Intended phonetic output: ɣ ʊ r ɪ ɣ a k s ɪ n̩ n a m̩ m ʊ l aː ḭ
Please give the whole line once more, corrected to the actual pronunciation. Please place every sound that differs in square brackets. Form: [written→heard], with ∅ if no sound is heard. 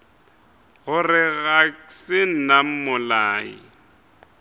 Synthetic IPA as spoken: ɣ ʊ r ɪ ɣ a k s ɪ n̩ n a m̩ m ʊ l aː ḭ